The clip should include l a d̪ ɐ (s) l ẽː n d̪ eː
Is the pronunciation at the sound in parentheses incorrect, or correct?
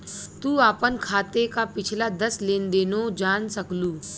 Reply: correct